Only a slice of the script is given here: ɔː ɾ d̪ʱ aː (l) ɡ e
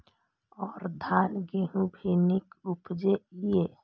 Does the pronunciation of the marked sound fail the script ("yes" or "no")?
no